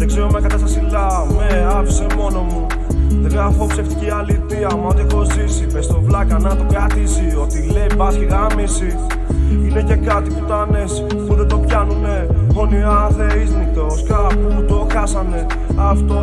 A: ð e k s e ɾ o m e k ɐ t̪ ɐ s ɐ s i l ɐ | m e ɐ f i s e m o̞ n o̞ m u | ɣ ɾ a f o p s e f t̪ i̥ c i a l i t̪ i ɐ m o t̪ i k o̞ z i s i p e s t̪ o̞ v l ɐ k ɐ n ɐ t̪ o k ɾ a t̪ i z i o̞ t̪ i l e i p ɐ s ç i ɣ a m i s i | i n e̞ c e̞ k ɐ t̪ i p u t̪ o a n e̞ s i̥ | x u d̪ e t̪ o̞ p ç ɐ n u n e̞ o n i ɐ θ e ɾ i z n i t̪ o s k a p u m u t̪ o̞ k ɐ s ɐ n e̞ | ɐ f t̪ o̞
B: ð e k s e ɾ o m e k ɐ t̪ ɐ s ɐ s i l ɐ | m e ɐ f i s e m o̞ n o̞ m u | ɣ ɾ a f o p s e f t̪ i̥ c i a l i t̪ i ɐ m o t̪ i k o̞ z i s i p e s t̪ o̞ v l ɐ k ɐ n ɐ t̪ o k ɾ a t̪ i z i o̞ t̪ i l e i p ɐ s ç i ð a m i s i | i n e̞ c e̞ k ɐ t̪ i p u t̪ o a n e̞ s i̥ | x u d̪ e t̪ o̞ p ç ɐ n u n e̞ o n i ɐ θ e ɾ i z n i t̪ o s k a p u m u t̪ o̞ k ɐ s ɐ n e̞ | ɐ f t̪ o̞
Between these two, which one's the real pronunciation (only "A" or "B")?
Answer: A